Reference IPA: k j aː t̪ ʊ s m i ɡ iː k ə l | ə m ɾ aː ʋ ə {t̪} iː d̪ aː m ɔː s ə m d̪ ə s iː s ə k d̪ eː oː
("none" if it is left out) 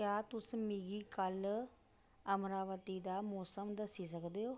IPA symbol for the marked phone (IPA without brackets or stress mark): t̪